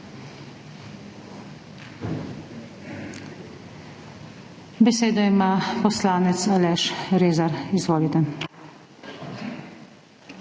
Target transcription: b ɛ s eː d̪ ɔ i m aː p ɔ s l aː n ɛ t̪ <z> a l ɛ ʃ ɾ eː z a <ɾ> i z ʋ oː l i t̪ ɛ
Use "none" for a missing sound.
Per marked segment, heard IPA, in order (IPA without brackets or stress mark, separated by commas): s, ɾ